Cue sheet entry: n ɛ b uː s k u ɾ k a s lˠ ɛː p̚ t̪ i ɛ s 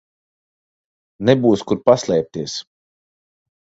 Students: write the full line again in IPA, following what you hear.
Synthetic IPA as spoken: n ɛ b uː s k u ɾ p a s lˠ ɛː p̚ t̪ i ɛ s